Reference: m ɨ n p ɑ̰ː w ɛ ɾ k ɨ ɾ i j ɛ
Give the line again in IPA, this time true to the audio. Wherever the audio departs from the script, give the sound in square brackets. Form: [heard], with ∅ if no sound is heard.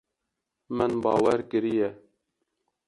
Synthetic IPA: m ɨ n [b] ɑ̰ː w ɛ ɾ k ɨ ɾ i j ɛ